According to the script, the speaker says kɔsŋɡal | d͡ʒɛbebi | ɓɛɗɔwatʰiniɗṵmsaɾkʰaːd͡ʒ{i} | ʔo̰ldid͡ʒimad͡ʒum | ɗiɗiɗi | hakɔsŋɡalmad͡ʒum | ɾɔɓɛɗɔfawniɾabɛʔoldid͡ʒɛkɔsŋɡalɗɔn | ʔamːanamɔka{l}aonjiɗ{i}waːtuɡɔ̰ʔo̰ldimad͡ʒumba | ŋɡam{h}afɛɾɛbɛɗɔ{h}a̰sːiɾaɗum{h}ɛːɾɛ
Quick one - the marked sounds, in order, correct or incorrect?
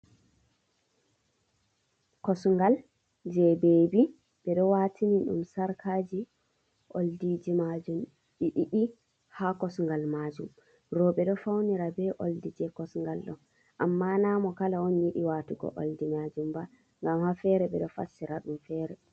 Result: correct, correct, correct, correct, incorrect, incorrect

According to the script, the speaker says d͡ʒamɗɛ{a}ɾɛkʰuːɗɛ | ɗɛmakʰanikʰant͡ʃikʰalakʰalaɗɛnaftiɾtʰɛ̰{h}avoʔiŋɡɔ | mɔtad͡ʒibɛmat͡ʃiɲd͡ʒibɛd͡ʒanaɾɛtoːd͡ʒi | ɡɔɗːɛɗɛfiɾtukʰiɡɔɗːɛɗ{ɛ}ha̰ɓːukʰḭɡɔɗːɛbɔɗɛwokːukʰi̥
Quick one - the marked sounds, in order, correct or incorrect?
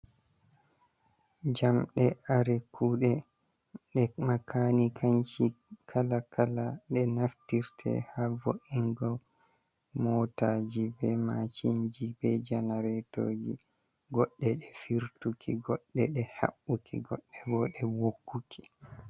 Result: correct, correct, correct

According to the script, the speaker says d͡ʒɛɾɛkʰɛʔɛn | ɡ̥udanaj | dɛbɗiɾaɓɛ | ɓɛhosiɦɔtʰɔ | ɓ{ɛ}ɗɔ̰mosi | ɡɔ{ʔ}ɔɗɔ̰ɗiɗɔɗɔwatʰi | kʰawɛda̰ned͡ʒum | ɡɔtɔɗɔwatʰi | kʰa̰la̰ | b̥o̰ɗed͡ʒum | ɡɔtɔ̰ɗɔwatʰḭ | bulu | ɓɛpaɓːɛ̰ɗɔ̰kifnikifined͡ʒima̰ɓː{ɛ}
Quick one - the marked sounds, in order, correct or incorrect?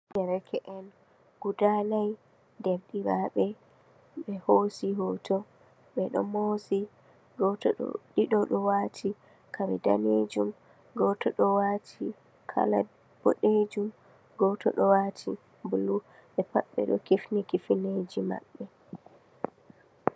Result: correct, incorrect, correct

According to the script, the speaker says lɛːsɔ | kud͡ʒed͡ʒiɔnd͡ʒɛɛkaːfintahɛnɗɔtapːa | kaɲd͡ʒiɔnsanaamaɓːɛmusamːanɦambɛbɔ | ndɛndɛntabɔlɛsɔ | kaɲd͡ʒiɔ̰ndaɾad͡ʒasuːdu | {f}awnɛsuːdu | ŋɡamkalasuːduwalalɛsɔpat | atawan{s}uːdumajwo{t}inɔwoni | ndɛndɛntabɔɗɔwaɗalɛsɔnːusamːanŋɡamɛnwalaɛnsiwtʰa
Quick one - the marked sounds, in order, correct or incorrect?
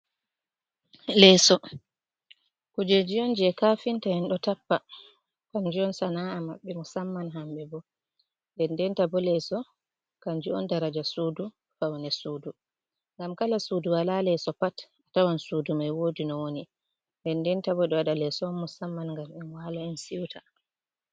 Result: correct, correct, incorrect

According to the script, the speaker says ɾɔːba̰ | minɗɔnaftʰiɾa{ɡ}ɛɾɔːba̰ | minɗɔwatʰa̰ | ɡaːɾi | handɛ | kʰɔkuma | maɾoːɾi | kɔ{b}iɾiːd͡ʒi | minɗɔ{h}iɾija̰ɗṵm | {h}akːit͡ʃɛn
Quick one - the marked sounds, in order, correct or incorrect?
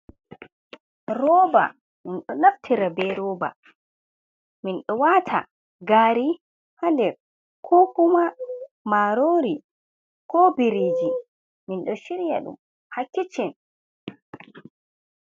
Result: incorrect, correct, incorrect, correct

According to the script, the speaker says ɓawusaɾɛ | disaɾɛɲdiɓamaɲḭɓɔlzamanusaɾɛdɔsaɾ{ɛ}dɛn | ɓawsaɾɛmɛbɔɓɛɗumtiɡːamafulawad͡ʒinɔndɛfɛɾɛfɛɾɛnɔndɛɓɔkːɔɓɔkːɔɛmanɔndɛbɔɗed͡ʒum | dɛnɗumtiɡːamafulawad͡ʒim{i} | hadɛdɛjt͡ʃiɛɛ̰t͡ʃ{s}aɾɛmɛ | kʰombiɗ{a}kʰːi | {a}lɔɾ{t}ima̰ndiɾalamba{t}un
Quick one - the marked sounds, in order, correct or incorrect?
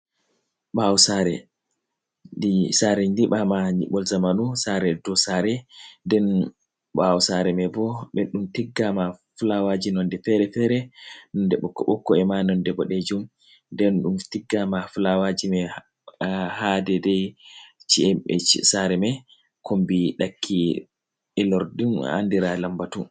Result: correct, incorrect, correct, correct, incorrect, incorrect, correct

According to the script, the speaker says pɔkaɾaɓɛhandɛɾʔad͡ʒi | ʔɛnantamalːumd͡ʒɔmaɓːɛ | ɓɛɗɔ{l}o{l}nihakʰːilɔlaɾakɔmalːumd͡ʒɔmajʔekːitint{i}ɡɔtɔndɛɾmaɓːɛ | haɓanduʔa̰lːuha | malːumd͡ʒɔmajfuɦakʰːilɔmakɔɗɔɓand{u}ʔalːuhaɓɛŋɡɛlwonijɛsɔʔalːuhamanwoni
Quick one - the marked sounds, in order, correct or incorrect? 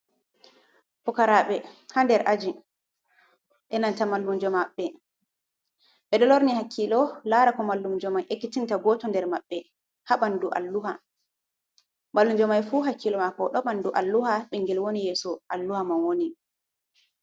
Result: correct, incorrect, incorrect, correct

